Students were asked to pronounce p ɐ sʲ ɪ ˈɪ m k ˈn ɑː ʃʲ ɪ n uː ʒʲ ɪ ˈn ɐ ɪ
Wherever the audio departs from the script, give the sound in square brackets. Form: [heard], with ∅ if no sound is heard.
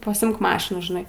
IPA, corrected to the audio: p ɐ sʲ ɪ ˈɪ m k [ˈm] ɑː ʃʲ ɪ n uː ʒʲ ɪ ˈn ɐ ɪ